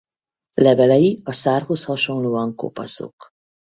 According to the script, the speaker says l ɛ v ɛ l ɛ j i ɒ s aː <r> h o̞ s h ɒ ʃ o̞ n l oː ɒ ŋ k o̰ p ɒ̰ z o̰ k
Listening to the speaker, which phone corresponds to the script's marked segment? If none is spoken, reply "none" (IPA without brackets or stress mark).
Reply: r